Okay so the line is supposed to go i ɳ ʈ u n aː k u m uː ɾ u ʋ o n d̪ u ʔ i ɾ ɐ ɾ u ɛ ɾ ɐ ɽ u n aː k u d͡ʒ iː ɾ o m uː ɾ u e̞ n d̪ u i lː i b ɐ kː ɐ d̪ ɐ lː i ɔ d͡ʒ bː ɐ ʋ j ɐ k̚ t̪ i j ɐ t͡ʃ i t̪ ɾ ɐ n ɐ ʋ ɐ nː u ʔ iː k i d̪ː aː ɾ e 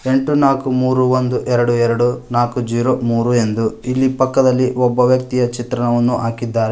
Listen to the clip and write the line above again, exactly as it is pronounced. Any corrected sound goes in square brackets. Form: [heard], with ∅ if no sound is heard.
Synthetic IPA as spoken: [e] ɳ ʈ u n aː k u m uː ɾ u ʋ o n d̪ u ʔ [ɛ] ɾ ɐ [ɽ] u ɛ ɾ ɐ ɽ u n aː k u d͡ʒ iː ɾ o m uː ɾ u e̞ n d̪ u i lː i [p] ɐ kː ɐ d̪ ɐ lː i ɔ [∅] bː ɐ ʋ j ɐ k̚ t̪ i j ɐ t͡ʃ i t̪ ɾ ɐ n ɐ ʋ ɐ nː u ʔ [aː] k i d̪ː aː ɾ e